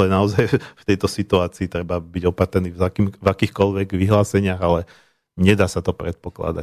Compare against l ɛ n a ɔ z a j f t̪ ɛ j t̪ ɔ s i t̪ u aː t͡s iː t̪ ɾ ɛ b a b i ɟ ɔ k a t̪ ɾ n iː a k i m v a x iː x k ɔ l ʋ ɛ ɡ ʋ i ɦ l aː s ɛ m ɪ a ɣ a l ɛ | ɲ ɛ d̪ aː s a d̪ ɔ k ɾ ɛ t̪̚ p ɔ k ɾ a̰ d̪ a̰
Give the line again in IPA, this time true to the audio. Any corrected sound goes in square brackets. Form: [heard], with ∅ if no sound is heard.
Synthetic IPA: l ɛ n a ɔ z a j f t̪ ɛ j t̪ ɔ s i t̪ u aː t͡s iː t̪ ɾ ɛ b a b i ɟ ɔ [p] a t̪ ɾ n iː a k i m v a [k] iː x k ɔ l ʋ ɛ ɡ ʋ i ɦ l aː s ɛ [ɲ] ɪ a ɣ a l ɛ | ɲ ɛ d̪ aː s a [t̪] ɔ [p] ɾ ɛ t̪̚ p ɔ k [l] a̰ d̪ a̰